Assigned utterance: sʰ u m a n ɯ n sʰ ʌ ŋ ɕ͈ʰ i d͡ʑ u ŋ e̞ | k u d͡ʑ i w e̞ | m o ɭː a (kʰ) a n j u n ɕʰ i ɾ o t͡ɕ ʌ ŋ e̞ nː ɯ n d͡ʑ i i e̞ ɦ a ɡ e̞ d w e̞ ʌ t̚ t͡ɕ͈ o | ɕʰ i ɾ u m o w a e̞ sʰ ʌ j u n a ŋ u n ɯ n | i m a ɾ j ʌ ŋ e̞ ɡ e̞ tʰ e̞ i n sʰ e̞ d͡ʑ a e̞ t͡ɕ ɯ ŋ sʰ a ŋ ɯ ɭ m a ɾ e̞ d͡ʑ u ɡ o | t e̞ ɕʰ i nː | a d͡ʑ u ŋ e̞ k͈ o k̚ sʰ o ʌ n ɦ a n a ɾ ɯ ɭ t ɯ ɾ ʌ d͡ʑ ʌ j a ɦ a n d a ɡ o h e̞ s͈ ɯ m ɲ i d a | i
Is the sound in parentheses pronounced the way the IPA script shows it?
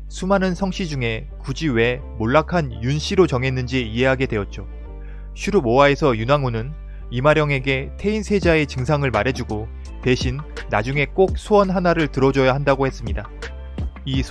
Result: yes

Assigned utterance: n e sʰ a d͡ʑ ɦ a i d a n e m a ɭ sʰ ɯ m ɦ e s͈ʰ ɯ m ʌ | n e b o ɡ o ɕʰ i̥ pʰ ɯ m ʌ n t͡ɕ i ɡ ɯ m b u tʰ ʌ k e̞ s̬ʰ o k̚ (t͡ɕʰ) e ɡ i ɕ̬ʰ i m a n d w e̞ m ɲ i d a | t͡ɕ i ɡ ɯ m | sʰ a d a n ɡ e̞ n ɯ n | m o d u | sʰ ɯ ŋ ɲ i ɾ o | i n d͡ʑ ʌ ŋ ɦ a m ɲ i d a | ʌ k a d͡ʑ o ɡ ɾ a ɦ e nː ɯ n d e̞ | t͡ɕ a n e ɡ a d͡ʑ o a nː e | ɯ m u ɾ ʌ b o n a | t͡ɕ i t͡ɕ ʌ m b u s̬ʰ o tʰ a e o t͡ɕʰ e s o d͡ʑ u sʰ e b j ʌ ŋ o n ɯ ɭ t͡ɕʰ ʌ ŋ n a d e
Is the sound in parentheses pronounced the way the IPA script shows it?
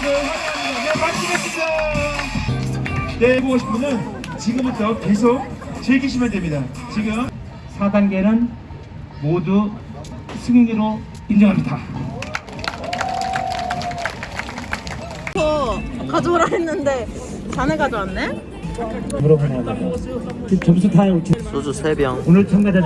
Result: no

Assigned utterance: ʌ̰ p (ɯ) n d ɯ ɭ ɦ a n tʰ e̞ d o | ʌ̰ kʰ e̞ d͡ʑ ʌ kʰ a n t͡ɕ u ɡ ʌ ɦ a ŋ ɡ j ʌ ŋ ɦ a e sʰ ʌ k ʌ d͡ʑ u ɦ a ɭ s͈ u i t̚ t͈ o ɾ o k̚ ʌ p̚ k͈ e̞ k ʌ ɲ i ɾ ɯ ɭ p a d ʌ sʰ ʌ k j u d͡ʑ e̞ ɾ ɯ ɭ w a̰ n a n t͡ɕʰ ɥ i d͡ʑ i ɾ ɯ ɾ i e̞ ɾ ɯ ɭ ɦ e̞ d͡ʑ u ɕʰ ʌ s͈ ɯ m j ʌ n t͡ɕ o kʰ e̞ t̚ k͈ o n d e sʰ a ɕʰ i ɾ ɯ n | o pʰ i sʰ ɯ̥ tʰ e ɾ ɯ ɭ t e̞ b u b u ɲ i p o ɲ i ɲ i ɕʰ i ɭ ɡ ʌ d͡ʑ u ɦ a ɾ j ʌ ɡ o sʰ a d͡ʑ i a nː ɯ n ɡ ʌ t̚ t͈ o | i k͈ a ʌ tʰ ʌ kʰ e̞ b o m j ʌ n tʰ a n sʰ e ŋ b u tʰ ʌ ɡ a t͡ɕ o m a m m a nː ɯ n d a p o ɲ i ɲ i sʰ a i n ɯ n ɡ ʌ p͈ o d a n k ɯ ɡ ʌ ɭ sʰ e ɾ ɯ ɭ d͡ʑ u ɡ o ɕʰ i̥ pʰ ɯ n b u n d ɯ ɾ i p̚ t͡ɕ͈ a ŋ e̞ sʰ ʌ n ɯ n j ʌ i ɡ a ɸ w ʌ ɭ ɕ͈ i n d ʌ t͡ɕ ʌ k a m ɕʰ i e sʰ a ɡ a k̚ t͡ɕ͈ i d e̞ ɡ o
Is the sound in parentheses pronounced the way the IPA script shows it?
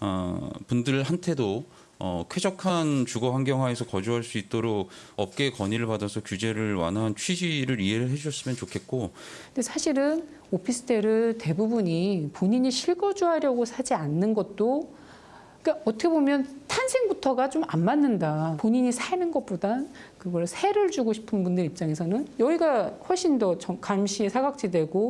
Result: no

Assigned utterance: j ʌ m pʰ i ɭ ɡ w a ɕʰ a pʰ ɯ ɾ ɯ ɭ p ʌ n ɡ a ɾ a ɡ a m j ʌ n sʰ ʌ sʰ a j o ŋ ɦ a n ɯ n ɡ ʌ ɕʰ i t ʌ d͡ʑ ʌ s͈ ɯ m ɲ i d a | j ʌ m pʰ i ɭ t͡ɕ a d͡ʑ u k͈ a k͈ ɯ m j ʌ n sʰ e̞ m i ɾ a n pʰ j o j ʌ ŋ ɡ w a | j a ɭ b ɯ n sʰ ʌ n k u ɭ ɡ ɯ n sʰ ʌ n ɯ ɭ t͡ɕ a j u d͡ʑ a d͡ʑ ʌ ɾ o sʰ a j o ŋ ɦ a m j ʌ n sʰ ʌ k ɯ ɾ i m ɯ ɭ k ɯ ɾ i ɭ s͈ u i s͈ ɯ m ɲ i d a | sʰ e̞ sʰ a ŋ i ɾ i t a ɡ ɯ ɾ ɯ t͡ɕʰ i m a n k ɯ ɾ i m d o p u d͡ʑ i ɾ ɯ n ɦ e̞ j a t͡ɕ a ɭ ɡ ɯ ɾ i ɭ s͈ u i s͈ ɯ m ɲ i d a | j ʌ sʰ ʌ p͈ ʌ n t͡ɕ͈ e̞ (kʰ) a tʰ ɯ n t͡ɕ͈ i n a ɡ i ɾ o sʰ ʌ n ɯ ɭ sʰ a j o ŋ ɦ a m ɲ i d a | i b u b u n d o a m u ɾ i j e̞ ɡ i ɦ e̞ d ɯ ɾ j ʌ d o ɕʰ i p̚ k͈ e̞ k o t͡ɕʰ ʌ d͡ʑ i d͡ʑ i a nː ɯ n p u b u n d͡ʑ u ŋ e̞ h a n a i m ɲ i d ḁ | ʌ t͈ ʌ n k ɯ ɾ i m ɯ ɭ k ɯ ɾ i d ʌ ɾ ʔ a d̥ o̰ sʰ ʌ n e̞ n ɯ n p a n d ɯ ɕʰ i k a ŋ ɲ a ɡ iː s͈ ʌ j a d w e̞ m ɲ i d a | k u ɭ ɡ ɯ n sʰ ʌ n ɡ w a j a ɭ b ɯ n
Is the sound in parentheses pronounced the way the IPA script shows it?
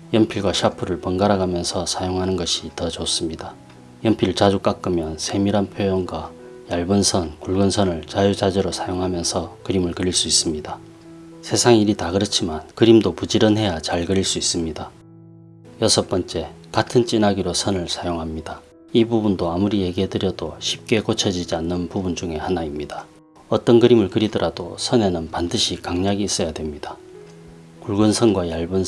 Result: no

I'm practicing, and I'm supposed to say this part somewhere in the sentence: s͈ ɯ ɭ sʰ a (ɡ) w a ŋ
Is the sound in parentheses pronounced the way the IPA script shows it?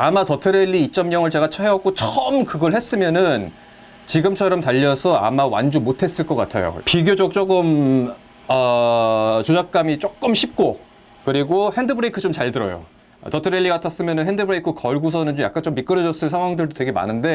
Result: no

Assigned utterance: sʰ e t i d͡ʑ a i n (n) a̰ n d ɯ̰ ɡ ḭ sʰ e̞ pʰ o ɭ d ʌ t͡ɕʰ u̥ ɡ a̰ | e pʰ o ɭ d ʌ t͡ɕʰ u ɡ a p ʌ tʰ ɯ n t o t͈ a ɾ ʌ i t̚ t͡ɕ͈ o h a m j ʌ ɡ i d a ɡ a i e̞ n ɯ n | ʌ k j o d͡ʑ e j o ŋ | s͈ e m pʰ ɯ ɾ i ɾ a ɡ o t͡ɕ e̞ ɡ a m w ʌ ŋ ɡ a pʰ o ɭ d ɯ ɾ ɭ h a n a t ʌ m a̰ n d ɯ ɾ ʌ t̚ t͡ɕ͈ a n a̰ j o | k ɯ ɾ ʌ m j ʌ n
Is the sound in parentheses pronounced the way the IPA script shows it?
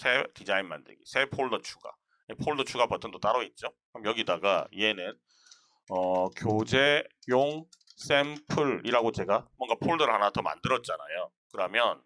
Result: no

